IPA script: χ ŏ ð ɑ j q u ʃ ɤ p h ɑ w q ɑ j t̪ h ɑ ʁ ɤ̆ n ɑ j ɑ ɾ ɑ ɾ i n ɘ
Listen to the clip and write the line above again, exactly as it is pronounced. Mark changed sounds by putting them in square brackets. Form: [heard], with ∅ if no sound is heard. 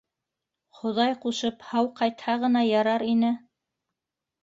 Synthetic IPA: χ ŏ ð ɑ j q u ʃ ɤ p h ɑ w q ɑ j t̪ h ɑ ʁ ɤ̆ n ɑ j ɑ ɾ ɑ ɾ i n ɘ